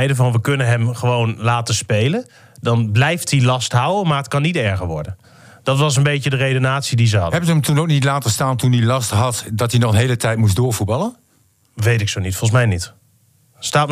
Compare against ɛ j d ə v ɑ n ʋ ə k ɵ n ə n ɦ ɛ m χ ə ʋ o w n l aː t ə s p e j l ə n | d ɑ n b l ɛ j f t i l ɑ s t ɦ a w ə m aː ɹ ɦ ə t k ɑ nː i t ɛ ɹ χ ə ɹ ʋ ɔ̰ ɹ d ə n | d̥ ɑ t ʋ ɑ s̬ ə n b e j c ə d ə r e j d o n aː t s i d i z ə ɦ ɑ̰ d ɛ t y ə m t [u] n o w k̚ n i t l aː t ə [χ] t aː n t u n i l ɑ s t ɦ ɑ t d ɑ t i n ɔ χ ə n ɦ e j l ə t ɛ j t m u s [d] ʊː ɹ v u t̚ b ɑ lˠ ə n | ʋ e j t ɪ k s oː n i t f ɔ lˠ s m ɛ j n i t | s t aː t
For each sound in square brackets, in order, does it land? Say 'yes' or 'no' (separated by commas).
yes, no, yes